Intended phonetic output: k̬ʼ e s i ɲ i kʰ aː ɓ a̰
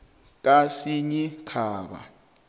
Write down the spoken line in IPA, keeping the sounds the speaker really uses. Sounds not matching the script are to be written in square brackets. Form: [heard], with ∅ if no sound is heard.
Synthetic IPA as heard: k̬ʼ [a] s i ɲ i kʰ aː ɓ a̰